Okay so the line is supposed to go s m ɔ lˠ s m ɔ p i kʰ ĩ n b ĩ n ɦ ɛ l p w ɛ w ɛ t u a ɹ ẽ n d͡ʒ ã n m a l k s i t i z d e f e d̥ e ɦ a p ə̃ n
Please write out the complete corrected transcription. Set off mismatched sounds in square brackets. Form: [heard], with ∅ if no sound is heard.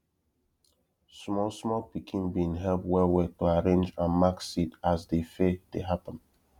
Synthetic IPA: s m ɔ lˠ s m ɔ p i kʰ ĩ n b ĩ n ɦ ɛ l p w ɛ w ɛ t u a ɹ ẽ n d͡ʒ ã n m a [∅] k s i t [a] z d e f e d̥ e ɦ a p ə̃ n